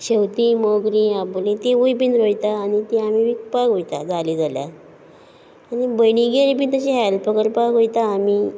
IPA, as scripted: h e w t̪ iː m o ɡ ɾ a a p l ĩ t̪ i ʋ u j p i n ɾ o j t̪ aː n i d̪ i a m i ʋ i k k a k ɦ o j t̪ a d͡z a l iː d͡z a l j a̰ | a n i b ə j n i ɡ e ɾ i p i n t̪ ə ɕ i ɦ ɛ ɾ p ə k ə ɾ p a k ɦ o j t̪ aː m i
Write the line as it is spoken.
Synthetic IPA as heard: ɕ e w t̪ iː m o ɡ ɾ i a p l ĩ t̪ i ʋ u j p i n ɾ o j t̪ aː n i t̪ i a m i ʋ i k p a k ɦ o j t̪ a d͡z a l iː d͡z a l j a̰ | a n i b ə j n i ɡ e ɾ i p i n t̪ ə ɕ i ɦ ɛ l p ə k ə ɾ p a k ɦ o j t̪ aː m i